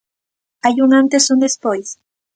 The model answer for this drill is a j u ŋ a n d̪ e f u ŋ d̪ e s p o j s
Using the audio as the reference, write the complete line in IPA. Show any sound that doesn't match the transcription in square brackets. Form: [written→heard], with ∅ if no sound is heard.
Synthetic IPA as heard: a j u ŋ a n [d̪→t̪] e [f→s] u [ŋ→n] d̪ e s p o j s